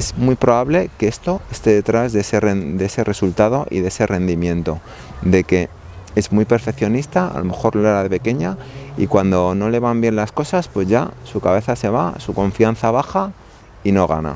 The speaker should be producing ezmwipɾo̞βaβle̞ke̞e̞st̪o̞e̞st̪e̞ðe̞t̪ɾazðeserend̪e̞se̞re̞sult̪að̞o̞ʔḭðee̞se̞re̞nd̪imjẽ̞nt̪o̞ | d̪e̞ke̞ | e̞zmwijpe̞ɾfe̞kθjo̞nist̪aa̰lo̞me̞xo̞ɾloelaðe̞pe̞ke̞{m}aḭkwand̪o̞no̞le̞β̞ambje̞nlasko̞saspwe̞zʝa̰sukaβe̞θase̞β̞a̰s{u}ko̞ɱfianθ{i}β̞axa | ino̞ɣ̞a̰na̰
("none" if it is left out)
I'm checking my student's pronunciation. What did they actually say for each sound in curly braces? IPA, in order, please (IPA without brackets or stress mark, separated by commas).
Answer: ɲ, u, a